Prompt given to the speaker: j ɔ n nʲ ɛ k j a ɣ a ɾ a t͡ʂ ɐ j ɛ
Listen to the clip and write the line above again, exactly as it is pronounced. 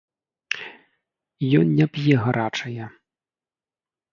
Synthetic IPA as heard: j ɔ n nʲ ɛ p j ɛ ɣ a ɾ a t͡ʂ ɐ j ɛ